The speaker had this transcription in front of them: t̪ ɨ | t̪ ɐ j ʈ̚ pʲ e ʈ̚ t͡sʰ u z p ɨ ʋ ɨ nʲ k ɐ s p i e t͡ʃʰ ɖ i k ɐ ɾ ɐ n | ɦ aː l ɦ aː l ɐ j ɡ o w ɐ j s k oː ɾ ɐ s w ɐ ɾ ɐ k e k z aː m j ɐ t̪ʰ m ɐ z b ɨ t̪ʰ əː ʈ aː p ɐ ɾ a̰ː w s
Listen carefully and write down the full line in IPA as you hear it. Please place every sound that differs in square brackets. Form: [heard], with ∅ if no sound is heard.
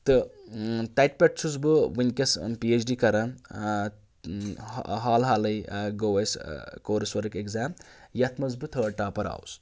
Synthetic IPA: t̪ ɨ | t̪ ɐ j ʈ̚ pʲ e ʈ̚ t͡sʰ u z [b] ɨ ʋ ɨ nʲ k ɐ s p i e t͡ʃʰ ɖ i k ɐ ɾ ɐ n | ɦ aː l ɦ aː l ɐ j ɡ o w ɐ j s k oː ɾ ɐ s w ɐ ɾ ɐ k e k z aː m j ɐ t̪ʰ m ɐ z b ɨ t̪ʰ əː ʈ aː p ɐ ɾ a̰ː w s